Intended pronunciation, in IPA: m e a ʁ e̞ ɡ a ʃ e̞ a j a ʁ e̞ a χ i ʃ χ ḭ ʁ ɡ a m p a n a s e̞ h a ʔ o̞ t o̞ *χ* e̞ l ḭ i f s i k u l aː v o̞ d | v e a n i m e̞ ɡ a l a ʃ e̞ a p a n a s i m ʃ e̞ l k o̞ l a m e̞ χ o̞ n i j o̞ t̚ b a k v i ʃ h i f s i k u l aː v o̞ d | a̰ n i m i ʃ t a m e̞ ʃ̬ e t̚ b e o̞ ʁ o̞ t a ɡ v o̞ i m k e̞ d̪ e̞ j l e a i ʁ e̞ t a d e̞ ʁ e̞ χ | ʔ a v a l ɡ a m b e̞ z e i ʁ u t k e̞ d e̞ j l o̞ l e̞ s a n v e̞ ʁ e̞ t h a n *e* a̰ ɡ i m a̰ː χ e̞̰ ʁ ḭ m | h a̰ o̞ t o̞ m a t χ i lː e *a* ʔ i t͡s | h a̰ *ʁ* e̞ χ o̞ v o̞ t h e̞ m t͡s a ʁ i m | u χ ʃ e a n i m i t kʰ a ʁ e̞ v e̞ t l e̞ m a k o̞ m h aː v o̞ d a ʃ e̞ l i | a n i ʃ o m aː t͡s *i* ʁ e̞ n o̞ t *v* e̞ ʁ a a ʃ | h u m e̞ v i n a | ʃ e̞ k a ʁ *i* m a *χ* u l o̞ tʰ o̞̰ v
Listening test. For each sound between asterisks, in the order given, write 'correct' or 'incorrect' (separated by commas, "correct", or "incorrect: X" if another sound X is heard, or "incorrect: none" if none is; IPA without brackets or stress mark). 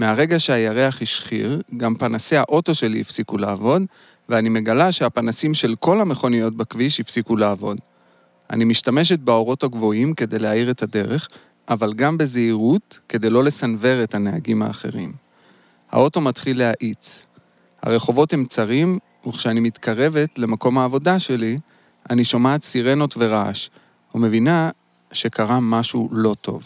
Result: incorrect: ʃ, correct, correct, correct, correct, correct, incorrect: a, incorrect: ʃ